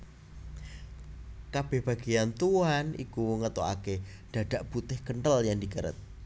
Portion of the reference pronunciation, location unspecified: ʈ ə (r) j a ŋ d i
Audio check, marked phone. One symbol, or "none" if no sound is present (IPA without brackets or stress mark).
l